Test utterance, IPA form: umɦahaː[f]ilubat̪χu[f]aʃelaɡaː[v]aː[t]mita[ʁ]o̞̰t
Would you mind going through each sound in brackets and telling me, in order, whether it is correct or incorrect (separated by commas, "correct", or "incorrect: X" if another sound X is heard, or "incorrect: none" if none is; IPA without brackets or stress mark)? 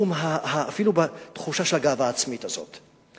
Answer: correct, incorrect: ʃ, correct, incorrect: t͡s, incorrect: z